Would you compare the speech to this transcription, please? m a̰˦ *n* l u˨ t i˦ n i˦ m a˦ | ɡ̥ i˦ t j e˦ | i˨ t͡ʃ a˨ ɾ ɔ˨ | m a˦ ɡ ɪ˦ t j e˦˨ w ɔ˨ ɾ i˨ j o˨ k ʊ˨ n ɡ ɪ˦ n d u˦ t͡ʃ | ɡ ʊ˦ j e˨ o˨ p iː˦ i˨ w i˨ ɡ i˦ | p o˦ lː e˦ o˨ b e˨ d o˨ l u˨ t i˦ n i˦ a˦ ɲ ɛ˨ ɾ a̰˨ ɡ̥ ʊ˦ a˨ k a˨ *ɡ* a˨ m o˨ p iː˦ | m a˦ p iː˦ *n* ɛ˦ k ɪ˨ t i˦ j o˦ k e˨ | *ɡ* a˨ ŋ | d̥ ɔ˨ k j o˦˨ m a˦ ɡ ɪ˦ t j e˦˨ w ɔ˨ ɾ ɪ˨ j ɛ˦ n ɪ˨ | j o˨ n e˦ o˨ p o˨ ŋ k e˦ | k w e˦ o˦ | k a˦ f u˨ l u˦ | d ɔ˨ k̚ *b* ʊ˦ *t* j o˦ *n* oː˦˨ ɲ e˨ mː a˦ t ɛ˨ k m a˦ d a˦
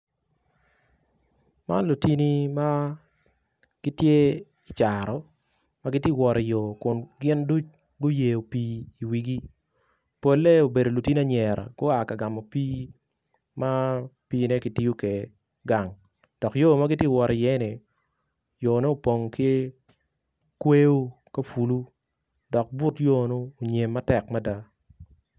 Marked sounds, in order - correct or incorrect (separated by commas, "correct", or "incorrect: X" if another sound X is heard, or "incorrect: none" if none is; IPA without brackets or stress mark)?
correct, correct, correct, correct, correct, correct, correct